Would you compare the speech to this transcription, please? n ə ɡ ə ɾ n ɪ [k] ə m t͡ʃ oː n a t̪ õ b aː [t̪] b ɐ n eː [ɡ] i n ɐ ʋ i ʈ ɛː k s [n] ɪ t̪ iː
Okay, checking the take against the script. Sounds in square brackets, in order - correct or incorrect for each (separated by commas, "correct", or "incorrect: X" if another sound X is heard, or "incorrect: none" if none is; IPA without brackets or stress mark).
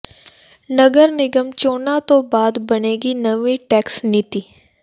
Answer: incorrect: ɡ, incorrect: d̪, correct, correct